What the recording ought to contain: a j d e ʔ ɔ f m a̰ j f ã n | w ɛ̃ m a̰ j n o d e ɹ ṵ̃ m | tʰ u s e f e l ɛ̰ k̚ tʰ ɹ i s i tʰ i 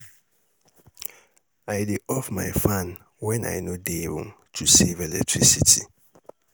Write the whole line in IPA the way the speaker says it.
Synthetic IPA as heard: a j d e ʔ ɔ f m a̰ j f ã n | w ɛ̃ n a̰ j n o d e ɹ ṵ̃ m | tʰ u s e v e l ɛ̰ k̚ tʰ ɹ i s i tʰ i